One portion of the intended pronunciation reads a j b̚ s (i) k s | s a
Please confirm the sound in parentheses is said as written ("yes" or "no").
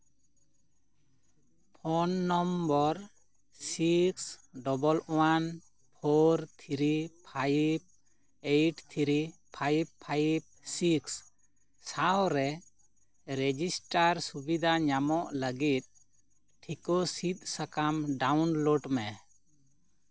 yes